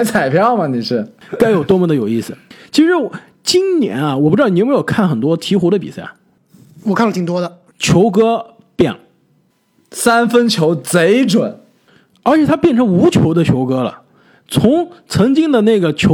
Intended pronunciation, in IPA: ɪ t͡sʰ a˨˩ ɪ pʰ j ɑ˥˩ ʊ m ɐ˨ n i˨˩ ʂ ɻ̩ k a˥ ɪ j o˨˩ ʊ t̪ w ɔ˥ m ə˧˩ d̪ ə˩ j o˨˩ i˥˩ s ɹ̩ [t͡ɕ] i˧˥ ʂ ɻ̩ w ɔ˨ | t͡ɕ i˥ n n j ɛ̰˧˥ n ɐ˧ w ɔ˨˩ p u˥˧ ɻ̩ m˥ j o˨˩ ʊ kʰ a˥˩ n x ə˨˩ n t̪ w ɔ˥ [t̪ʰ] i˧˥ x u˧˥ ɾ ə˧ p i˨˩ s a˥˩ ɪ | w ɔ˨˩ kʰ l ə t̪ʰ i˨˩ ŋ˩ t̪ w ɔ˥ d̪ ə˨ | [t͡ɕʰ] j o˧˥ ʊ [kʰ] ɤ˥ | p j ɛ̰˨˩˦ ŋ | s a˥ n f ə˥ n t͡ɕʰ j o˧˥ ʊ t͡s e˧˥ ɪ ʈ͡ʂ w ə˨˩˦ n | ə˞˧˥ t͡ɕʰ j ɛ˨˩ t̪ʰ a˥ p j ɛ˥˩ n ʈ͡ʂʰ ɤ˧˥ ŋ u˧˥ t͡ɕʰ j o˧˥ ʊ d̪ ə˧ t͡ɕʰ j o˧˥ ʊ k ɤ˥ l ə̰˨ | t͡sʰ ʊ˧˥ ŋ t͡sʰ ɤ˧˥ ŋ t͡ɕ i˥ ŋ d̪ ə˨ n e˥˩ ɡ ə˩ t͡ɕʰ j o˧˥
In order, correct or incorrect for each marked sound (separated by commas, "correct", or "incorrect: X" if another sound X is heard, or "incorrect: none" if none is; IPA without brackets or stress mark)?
incorrect: t͡ɕʰ, correct, correct, incorrect: k